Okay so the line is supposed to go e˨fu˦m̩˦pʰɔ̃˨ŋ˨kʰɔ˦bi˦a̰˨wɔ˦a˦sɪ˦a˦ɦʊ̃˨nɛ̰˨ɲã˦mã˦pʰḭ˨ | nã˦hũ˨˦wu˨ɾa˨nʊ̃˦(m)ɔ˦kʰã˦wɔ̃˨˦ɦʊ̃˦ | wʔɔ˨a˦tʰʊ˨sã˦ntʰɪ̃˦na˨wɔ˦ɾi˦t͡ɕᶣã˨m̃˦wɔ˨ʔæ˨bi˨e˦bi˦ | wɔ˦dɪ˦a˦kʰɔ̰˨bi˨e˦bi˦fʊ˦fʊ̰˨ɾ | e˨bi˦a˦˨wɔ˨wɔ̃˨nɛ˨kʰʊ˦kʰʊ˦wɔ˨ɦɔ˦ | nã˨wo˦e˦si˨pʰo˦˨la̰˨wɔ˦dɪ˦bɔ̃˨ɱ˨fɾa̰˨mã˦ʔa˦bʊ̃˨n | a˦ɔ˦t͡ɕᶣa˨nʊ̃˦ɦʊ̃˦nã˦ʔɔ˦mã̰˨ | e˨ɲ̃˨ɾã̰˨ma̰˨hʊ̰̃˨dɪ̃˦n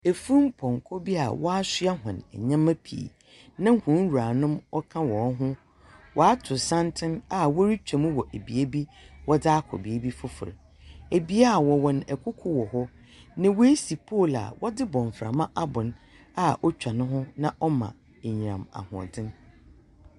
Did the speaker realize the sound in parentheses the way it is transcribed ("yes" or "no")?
yes